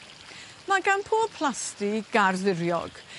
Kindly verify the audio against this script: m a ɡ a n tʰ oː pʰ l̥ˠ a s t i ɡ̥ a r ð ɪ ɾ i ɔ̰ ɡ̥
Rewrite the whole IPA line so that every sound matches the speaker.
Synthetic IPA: m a ɡ a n pʰ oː pʰ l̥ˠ a s t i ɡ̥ a r ð ɪ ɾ j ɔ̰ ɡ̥

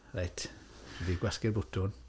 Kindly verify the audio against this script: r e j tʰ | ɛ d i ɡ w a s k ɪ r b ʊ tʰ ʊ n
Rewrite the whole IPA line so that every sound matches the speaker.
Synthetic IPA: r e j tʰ | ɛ d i ɡ w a s k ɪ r b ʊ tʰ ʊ n

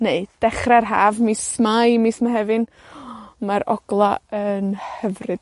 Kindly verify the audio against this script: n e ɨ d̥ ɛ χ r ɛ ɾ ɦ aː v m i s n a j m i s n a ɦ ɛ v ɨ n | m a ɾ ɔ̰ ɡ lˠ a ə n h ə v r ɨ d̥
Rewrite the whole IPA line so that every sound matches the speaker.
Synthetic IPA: n e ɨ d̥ ɛ χ r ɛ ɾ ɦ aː v m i s m a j m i s m a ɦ ɛ v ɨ n | m a ɾ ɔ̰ ɡ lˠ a ə n h ə v r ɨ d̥

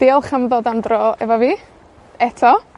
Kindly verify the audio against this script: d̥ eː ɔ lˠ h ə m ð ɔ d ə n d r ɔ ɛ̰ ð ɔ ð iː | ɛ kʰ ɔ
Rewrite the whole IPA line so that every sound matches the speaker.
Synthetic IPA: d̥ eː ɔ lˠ χ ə m ð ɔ d a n d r ɔ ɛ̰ v ɔ v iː | ɛ tʰ ɔ

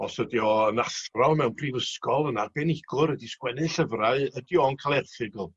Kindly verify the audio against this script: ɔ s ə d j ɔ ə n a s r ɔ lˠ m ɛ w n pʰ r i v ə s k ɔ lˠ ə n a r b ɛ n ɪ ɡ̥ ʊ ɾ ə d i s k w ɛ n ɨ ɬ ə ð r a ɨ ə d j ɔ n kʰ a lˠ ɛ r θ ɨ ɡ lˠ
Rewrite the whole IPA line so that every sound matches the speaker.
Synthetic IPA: ɔ s ə d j ɔ ə n a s r ɔ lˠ m ɛ w n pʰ r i v ə s k ɔ lˠ ə n a r b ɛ n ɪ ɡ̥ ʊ ɾ ə d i s k w ɛ n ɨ ɬ ə v r a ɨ ə d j ɔ n kʰ a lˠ ɛ r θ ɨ ɡ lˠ

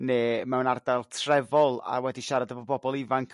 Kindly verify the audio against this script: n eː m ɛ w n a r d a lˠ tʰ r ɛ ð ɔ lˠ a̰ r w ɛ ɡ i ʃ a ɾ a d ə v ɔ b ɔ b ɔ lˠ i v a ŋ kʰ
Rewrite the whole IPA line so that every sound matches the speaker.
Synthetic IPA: n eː m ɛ w n a r d a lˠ tʰ r ɛ v ɔ lˠ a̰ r w ɛ d i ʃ a ɾ a d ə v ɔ b ɔ b ɔ lˠ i v a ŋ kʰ

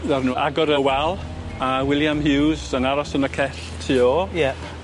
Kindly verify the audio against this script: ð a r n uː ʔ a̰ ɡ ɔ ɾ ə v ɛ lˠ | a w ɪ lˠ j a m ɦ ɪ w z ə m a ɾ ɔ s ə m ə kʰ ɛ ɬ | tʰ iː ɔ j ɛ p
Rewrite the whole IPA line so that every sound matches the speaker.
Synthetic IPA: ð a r n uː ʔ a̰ ɡ ɔ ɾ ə w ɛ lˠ | a w ɪ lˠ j a m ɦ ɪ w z ə n a ɾ ɔ s ə n ə kʰ ɛ ɬ | tʰ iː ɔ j ɛ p

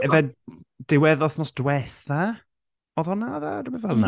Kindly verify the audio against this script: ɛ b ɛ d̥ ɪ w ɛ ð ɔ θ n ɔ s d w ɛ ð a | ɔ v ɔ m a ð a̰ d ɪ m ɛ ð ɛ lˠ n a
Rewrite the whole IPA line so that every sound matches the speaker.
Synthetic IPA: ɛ v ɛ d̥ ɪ w ɛ ð ɔ θ n ɔ s d w ɛ θ a | ɔ ð ɔ n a ð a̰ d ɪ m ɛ v ɛ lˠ n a

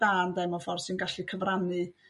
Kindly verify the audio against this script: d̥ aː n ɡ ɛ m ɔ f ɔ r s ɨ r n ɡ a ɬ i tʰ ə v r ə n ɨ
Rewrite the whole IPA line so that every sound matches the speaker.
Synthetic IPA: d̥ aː n d ɛ m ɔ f ɔ r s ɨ n ɡ a ɬ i kʰ ə v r a n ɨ

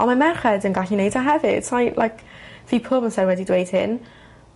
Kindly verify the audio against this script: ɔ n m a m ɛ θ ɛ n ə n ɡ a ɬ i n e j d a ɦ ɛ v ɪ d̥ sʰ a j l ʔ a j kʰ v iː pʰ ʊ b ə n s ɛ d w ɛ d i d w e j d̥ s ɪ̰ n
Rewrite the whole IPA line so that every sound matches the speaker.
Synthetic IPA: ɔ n m a m ɛ χ ɛ d ə n ɡ a ɬ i n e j d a ɦ ɛ v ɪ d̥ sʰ a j l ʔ a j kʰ v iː pʰ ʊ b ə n s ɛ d w ɛ d i d w e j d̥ h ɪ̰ n

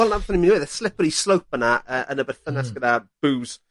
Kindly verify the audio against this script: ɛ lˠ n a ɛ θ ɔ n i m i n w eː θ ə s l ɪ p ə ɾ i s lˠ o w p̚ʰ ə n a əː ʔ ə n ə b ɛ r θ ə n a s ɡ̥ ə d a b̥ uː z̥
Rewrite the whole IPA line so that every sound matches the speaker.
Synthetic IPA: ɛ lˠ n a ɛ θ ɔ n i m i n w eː ð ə s l ɪ p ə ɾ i s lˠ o w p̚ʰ ə n a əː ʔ ə n ə b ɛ r θ ə n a s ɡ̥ ə d a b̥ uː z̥

